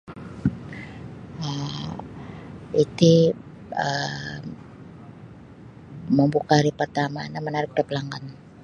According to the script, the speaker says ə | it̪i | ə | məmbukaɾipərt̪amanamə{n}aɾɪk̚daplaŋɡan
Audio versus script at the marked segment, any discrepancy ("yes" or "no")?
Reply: no